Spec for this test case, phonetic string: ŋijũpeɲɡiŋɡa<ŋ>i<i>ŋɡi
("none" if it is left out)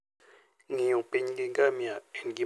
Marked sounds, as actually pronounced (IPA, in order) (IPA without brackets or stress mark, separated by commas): m, a